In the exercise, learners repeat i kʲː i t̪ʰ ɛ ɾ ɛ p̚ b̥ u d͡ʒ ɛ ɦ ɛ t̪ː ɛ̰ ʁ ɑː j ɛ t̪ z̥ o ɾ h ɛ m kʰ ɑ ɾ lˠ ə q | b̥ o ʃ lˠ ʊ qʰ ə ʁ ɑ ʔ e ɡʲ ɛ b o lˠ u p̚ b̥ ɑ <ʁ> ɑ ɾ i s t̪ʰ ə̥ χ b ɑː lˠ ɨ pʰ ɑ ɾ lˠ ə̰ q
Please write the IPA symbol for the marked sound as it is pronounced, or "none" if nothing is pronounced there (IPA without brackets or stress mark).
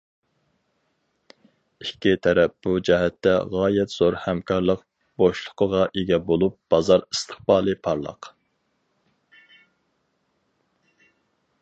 z